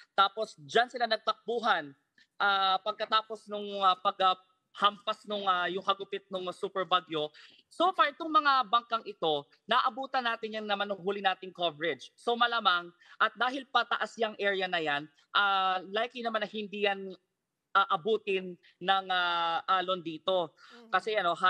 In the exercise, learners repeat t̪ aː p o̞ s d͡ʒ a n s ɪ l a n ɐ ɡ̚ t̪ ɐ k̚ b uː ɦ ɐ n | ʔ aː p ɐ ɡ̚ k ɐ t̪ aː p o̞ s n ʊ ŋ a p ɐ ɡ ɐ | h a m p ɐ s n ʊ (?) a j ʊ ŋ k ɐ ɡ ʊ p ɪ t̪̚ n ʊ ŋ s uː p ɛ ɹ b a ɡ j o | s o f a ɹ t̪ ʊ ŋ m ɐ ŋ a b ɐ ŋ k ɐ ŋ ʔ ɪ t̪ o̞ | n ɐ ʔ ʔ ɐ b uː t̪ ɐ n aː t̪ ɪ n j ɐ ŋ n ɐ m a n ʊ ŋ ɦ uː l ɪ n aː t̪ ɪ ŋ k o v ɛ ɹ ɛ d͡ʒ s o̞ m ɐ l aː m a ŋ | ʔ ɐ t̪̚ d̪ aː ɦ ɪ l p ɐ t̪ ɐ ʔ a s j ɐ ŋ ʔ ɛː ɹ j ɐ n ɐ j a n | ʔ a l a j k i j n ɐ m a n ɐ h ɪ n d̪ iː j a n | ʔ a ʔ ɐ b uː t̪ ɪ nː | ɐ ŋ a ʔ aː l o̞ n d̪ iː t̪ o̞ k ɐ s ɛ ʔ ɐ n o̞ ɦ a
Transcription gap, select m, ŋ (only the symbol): ŋ